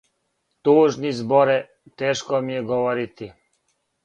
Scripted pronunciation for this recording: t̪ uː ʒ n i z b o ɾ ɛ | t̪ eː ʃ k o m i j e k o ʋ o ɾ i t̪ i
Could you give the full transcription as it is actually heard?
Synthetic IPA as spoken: t̪ uː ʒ n i z b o ɾ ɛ | t̪ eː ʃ k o m i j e ɡ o ʋ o ɾ i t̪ i

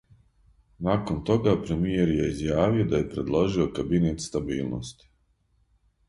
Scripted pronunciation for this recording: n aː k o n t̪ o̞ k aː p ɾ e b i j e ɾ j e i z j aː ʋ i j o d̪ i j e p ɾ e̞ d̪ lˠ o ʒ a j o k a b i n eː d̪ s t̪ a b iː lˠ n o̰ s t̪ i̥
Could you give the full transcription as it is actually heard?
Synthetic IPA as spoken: n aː k o n t̪ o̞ ɡ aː p ɾ e m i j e ɾ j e i z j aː ʋ i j o d̪ a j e p ɾ e̞ d̪ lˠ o ʒ i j o k a b i n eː t̪ s t̪ a b iː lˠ n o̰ s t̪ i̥

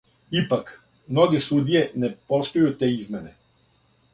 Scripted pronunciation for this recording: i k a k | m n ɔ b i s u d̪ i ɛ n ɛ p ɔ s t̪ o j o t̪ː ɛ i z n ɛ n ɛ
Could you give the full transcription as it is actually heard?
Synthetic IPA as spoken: i p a k | m n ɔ ɡ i s u d̪ i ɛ n ɛ p ɔ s t̪ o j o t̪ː ɛ i z m ɛ n ɛ

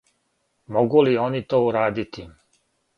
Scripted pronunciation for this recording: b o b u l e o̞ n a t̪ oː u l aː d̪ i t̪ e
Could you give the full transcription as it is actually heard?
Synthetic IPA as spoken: m o ɡ u l i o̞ n i t̪ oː u ɾ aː d̪ i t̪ i

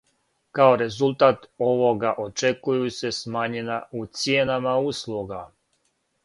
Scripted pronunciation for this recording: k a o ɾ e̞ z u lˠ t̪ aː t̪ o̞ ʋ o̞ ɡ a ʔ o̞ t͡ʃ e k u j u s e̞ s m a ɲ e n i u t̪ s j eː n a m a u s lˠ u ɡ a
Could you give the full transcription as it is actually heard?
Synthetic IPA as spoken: k a o ɾ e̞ z u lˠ t̪ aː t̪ o̞ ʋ o̞ ɡ a ʔ o̞ t͡ʃ e k u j u s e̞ s m a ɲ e n a u t̪ s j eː n a m a u s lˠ u ɡ a

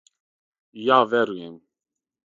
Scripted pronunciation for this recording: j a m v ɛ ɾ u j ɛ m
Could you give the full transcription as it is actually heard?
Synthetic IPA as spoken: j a v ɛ ɾ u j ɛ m

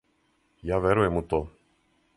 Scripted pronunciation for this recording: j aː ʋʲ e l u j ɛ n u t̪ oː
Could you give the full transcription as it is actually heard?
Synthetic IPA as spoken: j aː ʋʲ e ɾ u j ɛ m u t̪ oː

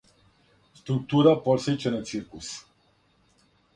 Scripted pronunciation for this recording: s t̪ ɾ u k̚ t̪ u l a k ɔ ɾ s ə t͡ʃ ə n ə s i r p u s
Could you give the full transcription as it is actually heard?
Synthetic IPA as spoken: s t̪ ɾ u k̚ t̪ u ɾ a p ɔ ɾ s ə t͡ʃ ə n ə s i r k u s

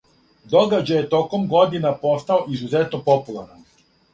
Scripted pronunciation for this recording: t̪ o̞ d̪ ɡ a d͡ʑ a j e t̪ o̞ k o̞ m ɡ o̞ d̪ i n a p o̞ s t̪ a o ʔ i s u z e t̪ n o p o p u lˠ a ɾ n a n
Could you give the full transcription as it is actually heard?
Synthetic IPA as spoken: d̪ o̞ ɡ a d͡ʑ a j e t̪ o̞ k o̞ m ɡ o̞ d̪ i n a p o̞ s t̪ a o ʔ i z u z e t̪ n o p o p u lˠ a ɾ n a n

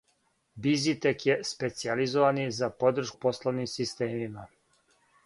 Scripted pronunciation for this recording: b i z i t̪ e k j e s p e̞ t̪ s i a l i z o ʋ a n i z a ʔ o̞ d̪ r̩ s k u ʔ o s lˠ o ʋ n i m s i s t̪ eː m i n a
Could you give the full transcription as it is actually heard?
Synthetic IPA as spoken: b i z i t̪ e k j e s p e̞ t̪ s i a l i z o ʋ a n i z a p o̞ d̪ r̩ ʃ k u p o s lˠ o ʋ n i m s i s t̪ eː m i m a

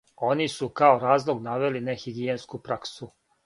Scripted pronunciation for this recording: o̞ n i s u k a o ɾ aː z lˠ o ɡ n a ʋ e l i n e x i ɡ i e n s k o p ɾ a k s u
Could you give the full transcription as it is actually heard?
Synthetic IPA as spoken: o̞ n i s u k a o ɾ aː z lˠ o ɡ n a ʋ e l i n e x i ɡ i e n s k u p ɾ a k s u

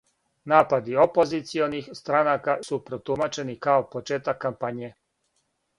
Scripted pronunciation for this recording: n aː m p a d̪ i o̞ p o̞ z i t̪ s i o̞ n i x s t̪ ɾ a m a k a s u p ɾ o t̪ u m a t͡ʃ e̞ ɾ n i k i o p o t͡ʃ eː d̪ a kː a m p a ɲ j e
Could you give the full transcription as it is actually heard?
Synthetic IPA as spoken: n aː p a d̪ i o̞ p o̞ z i t̪ s i o̞ n i x s t̪ ɾ a n a k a s u p ɾ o t̪ u m a t͡ʃ e̞ n i k a o p o t͡ʃ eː t̪ a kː a m p a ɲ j e

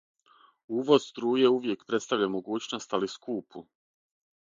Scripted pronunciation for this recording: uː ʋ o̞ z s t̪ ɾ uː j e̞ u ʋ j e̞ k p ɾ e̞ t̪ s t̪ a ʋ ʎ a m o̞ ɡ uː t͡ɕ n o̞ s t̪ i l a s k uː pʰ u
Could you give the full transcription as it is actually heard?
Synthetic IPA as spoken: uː ʋ o̞ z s t̪ ɾ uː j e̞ u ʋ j e̞ k p ɾ e̞ t̪ s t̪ a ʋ ʎ a m o̞ ɡ uː t͡ɕ n o̞ s t̪ a l i s k uː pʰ u

